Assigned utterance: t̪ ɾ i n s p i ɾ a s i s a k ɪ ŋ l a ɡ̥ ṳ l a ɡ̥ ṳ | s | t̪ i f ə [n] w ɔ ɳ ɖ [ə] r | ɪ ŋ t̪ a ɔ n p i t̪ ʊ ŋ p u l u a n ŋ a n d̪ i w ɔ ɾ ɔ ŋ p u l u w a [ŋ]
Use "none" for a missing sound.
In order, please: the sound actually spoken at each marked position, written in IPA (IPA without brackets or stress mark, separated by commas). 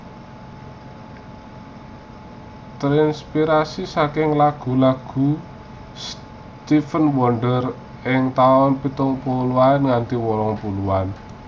n, ə, n